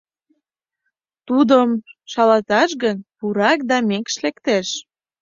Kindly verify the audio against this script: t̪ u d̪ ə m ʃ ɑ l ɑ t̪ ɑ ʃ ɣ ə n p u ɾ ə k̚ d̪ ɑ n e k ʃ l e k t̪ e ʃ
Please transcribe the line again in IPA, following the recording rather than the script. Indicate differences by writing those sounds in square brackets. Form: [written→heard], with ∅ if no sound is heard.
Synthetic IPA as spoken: t̪ u d̪ ə m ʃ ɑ l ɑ t̪ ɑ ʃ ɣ ə n p u ɾ [ə→ɑ] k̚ d̪ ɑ [n→m] e k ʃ l e k t̪ e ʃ